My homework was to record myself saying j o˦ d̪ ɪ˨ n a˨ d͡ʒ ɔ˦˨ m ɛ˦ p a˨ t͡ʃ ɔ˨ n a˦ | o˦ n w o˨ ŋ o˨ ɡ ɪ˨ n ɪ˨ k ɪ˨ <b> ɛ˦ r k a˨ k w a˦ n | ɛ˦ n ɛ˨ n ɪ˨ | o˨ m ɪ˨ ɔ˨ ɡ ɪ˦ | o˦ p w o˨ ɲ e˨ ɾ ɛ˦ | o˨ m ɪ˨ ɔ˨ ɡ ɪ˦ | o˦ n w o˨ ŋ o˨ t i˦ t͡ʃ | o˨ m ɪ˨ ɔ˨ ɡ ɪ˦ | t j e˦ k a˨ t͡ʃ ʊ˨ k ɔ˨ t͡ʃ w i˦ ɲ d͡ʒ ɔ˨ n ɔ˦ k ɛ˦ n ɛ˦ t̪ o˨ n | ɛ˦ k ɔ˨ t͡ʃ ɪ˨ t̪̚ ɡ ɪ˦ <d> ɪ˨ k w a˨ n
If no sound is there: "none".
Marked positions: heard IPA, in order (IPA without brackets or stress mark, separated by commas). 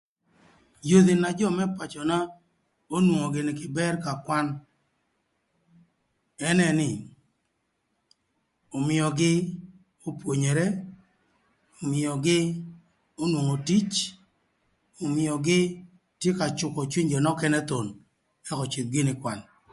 b, n